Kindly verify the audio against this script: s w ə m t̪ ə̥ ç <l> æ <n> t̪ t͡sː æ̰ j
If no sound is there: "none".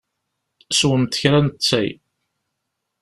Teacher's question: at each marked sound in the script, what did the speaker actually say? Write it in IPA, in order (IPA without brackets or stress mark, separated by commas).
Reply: ɾ, n